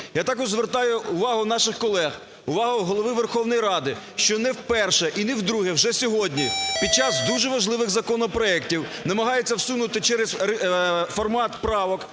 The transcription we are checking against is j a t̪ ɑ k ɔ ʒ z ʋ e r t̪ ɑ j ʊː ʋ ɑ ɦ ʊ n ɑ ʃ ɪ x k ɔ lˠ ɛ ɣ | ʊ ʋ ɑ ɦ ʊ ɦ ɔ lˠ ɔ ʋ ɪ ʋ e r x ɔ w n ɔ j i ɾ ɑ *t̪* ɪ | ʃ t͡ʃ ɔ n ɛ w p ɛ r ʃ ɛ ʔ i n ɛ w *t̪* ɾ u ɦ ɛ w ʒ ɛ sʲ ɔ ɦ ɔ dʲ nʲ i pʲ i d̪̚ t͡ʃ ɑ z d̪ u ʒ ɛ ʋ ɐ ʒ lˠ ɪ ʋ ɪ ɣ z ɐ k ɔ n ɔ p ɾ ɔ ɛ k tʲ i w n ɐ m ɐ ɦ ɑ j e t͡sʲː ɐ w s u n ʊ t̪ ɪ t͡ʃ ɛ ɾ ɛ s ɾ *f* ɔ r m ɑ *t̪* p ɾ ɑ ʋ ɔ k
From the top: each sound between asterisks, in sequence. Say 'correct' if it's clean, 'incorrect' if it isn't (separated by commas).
incorrect, incorrect, correct, correct